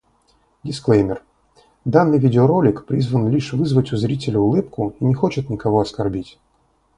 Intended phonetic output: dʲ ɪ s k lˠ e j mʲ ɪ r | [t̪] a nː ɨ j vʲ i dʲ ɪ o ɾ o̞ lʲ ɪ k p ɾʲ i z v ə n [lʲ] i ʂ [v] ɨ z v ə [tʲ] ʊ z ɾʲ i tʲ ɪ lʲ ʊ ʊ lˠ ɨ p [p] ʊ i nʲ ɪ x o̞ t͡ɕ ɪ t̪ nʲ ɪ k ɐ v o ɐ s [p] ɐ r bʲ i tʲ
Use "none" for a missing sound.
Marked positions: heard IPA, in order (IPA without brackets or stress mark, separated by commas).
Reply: d̪, lʲ, v, tʲ, k, k